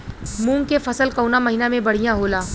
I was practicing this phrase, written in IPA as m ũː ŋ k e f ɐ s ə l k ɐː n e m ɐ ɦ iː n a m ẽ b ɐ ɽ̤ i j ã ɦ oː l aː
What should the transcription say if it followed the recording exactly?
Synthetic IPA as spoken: m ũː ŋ k e f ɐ s ə l k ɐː n a m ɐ ɦ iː n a m ẽ b ɐ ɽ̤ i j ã ɦ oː l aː